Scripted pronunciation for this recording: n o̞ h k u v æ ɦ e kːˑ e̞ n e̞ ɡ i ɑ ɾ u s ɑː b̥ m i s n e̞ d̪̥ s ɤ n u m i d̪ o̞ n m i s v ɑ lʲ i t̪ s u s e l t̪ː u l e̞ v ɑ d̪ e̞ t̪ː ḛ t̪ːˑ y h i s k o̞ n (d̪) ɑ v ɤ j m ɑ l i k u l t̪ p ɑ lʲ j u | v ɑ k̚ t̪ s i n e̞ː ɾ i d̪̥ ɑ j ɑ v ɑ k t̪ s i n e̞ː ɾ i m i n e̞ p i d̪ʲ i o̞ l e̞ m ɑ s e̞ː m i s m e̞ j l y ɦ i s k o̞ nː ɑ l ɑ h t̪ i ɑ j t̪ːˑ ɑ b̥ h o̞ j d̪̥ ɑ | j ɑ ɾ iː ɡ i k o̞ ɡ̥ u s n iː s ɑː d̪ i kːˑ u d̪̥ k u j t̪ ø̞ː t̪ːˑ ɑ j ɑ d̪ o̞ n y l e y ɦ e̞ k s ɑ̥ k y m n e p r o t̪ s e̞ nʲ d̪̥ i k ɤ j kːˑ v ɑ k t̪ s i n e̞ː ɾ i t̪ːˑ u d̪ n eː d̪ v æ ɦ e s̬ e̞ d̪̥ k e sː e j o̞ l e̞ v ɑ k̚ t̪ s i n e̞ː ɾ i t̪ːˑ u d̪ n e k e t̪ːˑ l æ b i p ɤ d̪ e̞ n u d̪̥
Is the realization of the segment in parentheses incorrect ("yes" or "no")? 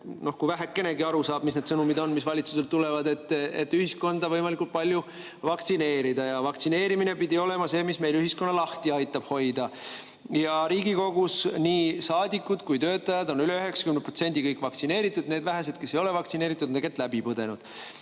no